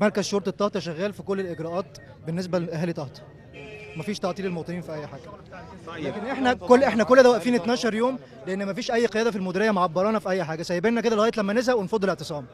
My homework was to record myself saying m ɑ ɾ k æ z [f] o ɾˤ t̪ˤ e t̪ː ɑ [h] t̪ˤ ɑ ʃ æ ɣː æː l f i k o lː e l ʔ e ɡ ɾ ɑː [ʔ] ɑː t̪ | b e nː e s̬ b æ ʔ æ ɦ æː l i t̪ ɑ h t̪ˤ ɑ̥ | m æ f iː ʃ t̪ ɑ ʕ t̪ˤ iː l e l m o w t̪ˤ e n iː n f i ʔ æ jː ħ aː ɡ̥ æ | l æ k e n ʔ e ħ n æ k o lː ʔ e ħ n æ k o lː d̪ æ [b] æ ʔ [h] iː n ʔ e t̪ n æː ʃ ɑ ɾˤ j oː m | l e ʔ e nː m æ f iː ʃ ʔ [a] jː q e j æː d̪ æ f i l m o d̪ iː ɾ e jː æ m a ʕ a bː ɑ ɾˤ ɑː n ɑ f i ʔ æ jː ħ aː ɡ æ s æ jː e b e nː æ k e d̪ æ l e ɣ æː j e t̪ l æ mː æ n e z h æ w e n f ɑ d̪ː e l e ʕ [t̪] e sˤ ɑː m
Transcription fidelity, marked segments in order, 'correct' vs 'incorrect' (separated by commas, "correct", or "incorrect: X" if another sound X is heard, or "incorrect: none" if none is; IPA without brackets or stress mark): incorrect: ʃ, correct, correct, incorrect: w, incorrect: f, incorrect: æ, correct